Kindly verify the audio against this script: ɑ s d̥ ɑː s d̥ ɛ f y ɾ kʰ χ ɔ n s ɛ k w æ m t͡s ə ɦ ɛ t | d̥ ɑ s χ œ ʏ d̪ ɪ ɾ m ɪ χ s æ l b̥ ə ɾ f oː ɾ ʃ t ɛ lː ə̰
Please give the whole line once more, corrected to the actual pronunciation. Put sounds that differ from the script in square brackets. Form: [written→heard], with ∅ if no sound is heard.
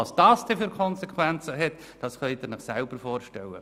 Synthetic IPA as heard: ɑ s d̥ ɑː s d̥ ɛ f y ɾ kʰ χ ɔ n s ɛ k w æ [m→n] t͡s ə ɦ ɛ t | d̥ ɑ s χ œ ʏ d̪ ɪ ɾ [m→n] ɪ χ s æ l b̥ ə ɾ f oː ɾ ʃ t ɛ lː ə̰